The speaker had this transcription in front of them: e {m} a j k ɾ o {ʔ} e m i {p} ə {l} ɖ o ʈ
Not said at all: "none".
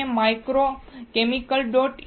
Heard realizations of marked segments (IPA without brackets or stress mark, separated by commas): m, k, k, l